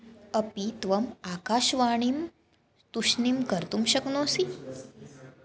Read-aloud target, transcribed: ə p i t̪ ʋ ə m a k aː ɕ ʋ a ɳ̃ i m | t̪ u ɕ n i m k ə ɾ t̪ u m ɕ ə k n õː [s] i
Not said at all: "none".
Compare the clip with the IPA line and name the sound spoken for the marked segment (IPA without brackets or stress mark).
s